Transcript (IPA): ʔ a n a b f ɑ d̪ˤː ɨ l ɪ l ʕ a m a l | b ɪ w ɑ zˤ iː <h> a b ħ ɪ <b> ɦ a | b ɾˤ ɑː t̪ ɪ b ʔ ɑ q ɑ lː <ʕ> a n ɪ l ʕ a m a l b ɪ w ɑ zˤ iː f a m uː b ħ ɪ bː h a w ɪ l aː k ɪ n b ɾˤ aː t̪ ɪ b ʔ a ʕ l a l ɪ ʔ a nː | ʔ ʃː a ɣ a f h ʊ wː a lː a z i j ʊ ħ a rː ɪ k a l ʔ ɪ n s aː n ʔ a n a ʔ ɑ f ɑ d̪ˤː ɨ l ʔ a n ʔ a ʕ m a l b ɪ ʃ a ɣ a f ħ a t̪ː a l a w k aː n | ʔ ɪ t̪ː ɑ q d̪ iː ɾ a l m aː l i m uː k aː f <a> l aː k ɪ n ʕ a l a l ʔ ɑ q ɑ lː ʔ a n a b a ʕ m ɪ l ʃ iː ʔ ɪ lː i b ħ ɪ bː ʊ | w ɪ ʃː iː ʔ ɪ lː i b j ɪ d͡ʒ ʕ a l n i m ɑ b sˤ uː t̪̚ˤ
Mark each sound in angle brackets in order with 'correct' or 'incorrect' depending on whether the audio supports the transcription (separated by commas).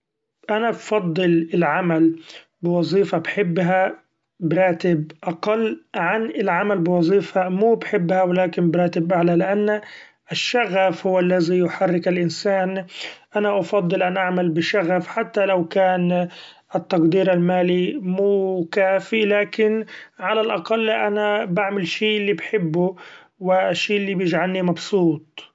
incorrect, incorrect, correct, incorrect